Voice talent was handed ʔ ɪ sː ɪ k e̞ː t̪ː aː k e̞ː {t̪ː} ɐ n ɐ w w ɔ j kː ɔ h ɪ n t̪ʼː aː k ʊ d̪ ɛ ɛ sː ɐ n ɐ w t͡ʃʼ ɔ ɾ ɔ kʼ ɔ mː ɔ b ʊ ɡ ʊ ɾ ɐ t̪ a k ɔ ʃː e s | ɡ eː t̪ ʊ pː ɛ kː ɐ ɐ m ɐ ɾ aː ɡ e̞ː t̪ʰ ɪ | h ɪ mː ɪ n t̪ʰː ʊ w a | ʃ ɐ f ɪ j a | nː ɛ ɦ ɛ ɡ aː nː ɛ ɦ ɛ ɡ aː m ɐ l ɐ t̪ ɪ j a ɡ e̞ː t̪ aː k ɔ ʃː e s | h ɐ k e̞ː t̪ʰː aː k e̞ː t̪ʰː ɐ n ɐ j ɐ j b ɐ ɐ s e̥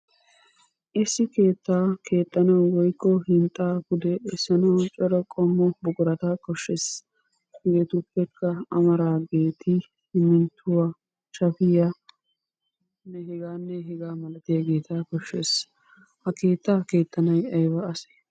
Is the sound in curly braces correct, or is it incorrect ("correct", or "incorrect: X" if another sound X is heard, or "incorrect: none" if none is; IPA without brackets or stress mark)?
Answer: correct